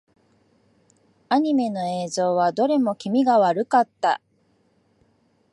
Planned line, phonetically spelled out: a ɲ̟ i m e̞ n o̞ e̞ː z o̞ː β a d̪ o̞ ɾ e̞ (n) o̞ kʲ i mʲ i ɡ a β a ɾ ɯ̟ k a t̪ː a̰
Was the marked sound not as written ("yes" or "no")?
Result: yes